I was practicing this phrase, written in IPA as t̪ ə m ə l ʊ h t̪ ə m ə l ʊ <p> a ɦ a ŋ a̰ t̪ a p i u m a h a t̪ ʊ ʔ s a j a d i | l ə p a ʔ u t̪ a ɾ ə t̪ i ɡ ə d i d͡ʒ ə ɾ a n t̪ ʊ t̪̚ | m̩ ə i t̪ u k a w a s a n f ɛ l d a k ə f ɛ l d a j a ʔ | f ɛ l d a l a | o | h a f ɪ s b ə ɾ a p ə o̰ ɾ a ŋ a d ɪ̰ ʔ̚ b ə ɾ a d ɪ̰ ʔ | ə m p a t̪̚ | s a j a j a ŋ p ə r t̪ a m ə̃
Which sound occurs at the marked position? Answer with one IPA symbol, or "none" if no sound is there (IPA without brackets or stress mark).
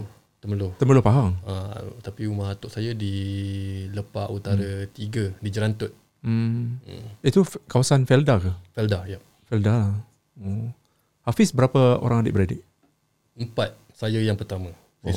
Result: p